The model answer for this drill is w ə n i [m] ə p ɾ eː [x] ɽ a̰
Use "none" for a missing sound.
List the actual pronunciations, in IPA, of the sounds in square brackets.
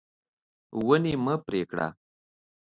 m, k

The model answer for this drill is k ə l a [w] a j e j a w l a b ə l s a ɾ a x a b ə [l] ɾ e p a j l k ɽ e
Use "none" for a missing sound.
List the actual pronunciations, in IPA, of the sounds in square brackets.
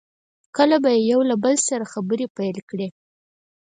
b, none

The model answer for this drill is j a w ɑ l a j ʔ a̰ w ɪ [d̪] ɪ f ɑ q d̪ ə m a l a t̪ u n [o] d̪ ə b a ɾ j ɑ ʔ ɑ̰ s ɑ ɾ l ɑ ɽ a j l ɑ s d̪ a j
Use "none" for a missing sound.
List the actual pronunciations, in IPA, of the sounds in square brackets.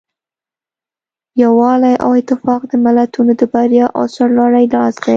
t̪, o

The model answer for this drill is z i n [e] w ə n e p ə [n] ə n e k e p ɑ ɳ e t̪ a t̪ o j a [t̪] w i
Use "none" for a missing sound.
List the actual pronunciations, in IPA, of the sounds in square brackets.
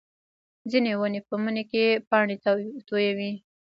e, m, none

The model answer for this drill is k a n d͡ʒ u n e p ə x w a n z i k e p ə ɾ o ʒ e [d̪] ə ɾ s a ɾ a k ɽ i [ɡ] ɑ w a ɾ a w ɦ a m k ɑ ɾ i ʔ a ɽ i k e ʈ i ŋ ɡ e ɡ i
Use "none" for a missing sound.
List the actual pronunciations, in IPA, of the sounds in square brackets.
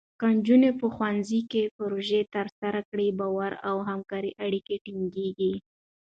t̪, b

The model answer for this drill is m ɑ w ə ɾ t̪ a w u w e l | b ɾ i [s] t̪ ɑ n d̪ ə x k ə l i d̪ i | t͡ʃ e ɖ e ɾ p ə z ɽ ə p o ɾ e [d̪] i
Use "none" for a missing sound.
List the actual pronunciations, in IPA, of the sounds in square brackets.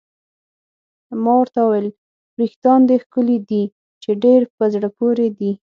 x, d̪

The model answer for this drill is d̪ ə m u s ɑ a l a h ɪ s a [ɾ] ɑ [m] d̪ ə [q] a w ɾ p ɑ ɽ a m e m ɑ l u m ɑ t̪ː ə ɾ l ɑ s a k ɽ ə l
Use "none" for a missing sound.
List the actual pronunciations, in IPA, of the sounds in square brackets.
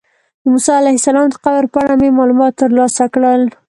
l, m, q

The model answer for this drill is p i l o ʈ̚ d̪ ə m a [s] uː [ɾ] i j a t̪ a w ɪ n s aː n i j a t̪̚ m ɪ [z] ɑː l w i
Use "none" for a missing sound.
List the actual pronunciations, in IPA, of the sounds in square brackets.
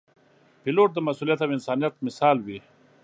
s, l, s

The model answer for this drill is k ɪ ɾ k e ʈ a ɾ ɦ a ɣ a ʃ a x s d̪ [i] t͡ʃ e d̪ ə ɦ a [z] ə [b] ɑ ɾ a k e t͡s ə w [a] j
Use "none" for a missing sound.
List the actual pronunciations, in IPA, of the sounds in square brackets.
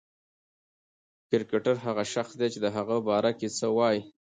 e, ɣ, b, ɑ

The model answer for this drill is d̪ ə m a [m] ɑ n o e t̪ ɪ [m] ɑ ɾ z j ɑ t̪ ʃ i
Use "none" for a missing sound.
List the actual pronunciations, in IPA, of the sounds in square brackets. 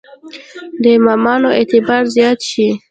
m, b

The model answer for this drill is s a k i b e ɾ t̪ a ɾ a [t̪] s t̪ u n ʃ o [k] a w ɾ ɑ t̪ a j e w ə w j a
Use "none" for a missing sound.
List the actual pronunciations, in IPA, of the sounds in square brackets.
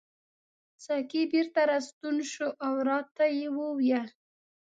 none, ʔ

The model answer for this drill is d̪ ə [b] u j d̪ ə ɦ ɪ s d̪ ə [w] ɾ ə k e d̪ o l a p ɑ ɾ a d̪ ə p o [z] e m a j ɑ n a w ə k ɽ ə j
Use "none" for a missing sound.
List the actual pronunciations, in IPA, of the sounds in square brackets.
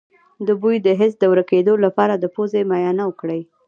b, w, z

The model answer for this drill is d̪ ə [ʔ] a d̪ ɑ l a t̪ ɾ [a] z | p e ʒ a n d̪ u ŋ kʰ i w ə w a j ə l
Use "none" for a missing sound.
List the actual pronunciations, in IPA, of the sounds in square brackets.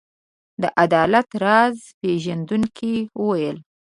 ʔ, ɑ

